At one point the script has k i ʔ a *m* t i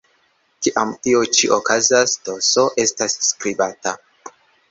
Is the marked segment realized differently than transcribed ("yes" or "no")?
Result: no